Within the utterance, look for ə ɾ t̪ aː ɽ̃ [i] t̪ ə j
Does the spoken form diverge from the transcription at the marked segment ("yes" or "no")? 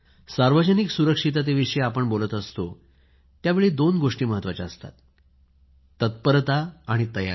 no